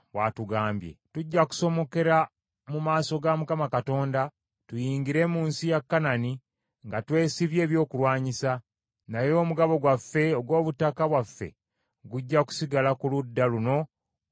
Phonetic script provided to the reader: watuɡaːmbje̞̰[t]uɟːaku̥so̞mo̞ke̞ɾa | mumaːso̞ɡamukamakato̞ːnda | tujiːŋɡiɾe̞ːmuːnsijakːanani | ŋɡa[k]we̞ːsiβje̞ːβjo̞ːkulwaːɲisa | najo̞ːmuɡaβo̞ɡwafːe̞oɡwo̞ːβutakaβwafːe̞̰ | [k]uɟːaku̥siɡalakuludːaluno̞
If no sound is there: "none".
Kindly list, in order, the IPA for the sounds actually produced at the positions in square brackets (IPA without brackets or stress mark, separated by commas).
t, t, ɡ